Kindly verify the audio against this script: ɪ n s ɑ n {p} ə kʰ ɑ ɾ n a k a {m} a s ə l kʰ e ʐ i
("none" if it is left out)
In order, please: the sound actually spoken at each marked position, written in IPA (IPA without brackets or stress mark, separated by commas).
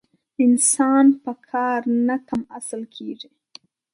p, m